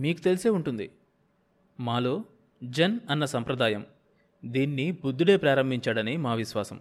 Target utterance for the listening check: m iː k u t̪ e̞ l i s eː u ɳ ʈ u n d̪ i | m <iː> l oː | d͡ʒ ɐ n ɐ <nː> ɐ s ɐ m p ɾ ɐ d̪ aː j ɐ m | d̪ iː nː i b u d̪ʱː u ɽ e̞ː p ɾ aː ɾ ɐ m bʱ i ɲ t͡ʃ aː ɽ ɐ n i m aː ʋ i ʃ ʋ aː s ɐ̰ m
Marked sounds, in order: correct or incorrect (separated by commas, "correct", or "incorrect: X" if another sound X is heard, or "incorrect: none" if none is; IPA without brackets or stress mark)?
incorrect: aː, correct